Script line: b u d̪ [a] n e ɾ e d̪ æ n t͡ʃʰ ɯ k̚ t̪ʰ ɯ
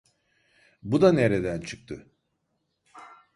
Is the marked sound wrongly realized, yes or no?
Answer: no